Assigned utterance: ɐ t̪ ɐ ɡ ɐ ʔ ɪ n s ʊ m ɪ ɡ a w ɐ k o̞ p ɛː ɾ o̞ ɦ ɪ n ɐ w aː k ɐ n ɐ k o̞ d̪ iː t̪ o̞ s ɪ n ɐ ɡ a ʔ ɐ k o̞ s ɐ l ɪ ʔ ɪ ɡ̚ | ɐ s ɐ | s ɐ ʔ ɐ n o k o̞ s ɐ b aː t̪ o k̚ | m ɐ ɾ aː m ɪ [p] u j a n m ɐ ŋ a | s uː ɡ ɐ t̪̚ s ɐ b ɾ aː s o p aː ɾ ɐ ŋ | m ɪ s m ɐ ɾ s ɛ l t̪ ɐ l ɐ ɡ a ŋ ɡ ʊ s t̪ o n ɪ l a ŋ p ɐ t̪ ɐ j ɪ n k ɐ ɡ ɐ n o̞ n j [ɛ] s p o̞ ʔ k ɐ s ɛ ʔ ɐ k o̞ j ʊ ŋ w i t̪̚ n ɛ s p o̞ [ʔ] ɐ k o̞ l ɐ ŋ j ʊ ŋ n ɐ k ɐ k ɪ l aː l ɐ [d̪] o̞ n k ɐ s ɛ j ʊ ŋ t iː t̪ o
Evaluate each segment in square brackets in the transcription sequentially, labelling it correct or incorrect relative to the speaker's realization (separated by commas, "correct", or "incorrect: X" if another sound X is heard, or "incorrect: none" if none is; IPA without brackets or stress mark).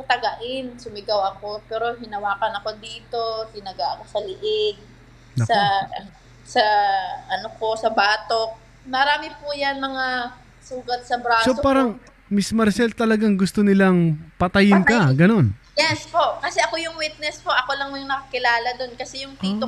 correct, correct, correct, correct